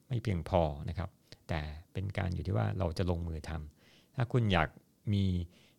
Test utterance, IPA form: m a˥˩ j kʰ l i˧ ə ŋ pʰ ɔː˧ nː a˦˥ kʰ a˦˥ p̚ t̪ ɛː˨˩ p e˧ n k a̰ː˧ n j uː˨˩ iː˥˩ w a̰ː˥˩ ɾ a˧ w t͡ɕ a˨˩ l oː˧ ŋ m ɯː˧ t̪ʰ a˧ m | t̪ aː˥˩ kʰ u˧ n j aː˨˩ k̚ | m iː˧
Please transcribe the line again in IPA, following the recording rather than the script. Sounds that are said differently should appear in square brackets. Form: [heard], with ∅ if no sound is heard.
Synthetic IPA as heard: m a˥˩ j [pʰ] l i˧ ə ŋ pʰ ɔː˧ [n] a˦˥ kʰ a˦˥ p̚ t̪ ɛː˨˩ p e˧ n k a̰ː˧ n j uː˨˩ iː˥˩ w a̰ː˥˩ ɾ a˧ w t͡ɕ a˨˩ l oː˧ ŋ m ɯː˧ t̪ʰ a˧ m | [t̪ʰ] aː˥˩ kʰ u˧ n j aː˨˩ k̚ | m iː˧